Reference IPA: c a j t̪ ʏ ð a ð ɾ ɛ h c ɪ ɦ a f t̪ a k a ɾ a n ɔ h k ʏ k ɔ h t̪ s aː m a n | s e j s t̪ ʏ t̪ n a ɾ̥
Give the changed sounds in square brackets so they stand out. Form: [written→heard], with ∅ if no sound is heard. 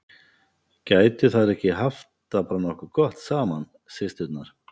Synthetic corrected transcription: c a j t̪ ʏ [ð→θ] a ð ɾ ɛ h c ɪ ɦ a f t̪ a [k→p] a ɾ a n ɔ h k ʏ k ɔ h t̪ s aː m a n | s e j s t̪ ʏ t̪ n a ɾ̥